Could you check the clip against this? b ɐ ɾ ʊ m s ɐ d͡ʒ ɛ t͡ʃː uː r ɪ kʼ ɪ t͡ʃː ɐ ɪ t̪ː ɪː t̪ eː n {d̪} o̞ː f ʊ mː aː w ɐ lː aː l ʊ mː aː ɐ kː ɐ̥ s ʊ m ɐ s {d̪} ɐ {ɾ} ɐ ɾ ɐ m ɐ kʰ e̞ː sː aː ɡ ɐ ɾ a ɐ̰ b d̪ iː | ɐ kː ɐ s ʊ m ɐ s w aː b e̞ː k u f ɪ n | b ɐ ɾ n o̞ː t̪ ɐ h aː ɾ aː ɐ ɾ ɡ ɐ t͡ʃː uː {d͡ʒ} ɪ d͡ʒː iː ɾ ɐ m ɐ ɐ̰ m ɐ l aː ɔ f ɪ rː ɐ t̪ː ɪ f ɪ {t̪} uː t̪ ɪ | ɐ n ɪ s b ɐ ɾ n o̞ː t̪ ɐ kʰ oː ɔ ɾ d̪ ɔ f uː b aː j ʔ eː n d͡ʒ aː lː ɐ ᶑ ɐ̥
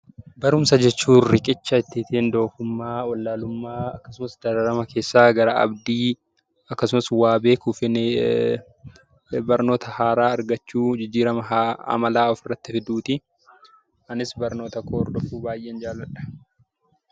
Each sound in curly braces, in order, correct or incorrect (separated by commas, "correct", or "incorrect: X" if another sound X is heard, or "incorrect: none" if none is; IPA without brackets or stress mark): correct, correct, correct, correct, incorrect: d̪